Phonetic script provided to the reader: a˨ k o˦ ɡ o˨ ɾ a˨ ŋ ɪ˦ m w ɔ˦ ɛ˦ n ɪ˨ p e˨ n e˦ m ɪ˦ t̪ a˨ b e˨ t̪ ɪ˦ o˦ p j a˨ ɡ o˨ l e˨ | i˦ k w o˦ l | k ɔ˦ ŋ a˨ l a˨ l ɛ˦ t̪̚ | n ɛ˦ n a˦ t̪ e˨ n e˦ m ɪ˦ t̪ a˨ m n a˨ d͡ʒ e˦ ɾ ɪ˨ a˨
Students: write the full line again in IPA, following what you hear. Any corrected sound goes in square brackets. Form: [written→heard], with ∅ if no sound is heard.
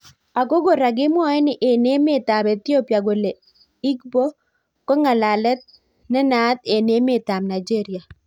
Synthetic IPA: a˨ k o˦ ɡ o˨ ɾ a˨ [ŋ→ɡ] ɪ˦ m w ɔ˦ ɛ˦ n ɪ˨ [p→ʔ] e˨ n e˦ m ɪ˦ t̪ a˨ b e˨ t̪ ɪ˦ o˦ p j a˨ ɡ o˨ l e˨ | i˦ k [w→b] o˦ [l→∅] | k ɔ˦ ŋ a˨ l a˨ l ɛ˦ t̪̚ | n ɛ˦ n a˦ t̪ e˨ n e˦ m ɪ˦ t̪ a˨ m n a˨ d͡ʒ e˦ ɾ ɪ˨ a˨